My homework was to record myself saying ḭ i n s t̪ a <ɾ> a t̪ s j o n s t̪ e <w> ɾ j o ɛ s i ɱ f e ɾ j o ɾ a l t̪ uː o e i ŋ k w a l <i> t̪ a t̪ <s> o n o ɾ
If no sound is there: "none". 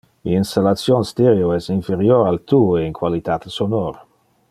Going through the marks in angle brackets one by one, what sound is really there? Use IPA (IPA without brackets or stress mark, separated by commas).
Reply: l, none, i, s